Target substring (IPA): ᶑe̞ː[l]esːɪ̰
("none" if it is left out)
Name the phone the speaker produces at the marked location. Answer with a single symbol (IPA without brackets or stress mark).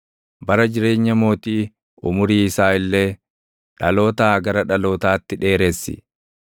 ɾ